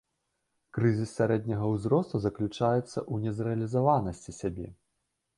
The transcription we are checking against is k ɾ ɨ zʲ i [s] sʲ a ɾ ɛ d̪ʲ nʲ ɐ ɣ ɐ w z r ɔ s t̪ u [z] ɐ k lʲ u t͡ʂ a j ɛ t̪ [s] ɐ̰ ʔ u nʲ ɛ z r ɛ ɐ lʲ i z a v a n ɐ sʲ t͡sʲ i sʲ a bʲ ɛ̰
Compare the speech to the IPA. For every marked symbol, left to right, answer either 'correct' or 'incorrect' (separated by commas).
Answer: correct, correct, incorrect